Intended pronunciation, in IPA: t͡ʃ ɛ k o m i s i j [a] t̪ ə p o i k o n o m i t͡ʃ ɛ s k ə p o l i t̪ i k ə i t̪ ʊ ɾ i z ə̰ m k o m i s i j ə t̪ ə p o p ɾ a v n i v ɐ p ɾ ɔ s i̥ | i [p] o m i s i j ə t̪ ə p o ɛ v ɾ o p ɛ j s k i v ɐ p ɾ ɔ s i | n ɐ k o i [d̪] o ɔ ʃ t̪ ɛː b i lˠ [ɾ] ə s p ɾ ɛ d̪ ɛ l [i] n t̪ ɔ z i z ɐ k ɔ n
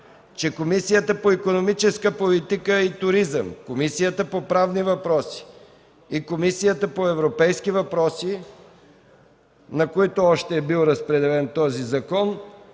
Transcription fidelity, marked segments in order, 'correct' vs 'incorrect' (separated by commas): incorrect, incorrect, incorrect, correct, incorrect